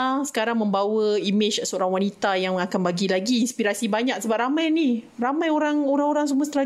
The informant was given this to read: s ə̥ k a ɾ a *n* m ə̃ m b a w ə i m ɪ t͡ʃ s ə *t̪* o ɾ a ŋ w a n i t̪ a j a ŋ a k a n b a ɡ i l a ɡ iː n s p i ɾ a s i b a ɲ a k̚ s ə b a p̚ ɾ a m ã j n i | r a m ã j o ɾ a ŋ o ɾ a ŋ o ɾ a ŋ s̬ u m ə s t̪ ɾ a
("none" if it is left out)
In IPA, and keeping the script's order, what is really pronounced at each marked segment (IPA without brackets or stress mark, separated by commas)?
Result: ŋ, none